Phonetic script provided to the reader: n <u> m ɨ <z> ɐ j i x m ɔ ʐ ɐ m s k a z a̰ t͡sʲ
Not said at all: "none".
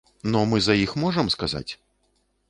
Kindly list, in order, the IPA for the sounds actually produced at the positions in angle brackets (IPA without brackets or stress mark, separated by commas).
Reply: ɔ, z